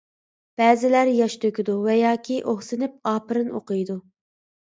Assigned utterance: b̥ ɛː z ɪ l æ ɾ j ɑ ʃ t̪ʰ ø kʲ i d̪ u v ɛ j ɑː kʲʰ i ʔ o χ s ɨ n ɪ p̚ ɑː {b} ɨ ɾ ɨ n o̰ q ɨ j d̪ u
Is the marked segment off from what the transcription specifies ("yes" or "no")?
yes